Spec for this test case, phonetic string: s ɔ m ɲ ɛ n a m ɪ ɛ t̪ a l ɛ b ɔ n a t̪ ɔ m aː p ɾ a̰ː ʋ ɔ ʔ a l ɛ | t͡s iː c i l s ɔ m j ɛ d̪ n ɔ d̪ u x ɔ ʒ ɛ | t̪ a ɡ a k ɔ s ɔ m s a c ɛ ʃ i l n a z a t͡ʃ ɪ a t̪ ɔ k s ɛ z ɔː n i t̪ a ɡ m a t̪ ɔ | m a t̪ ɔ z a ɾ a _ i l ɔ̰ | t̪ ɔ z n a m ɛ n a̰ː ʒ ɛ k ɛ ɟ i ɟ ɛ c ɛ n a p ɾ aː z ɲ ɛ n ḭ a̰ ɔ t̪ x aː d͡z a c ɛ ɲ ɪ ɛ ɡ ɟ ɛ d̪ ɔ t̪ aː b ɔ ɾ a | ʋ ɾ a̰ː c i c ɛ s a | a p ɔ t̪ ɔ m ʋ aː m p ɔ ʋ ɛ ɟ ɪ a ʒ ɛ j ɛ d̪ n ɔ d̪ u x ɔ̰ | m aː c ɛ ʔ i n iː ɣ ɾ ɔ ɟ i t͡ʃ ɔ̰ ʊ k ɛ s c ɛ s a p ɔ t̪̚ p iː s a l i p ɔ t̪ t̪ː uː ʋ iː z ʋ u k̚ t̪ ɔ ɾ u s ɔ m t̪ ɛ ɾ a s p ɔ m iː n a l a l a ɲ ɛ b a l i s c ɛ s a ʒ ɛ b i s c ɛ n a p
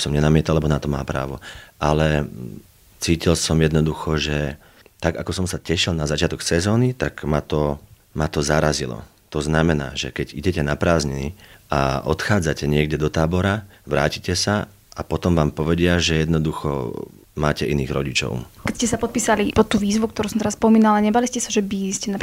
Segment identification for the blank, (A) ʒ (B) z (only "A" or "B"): B